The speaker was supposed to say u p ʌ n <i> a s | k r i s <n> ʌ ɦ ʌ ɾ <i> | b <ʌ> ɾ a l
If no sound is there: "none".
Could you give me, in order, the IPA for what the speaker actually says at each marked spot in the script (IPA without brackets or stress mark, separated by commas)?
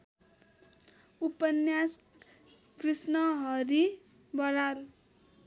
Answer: j, n, i, ʌ